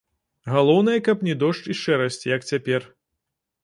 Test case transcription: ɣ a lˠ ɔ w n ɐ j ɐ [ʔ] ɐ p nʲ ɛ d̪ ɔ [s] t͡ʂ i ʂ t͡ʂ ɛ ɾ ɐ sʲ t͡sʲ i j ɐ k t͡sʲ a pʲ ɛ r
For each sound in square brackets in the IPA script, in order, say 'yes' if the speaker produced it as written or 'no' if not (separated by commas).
no, no